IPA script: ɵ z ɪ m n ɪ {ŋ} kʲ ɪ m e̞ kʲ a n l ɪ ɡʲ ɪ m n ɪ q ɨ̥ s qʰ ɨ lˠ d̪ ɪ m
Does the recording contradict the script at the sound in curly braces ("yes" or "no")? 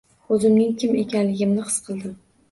no